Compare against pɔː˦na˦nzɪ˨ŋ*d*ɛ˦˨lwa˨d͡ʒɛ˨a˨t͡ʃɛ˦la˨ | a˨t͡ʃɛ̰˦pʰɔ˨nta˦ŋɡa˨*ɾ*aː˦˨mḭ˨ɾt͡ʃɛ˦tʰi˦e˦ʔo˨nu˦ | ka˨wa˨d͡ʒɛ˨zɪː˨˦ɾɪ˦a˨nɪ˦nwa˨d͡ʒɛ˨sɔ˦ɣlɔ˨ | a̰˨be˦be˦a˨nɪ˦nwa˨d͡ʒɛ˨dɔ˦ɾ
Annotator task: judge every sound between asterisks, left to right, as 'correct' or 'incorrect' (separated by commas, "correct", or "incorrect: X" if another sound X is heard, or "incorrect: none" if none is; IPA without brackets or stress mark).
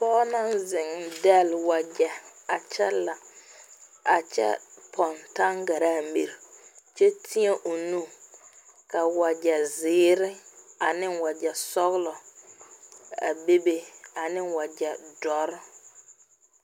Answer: correct, correct